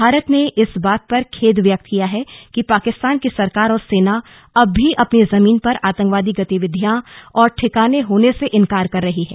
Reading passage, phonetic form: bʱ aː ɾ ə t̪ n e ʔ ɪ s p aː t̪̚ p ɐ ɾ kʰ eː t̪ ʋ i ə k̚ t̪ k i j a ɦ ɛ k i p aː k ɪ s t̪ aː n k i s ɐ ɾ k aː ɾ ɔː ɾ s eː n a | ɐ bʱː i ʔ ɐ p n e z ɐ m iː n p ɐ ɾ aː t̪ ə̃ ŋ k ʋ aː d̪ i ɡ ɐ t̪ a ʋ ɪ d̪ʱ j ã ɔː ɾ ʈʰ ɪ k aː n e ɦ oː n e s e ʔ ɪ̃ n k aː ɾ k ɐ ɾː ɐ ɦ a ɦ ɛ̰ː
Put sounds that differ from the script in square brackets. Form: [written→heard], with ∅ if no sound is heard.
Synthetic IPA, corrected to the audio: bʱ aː ɾ ə t̪ n e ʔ ɪ s [p→b] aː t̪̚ p ɐ ɾ kʰ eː [t̪→d̪] ʋ [i→j] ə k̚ t̪ k i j a ɦ ɛ k i p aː k ɪ s t̪ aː n k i s ɐ ɾ k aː ɾ ɔː ɾ s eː n a | ɐ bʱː i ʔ ɐ p n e z ɐ m iː n p ɐ ɾ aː t̪ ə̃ ŋ k ʋ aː d̪ i ɡ ɐ t̪ [a→i] ʋ ɪ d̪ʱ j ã ɔː ɾ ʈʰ ɪ k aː n e ɦ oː n e s e ʔ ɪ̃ n k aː ɾ k ɐ ɾː ɐ ɦ [a→i] ɦ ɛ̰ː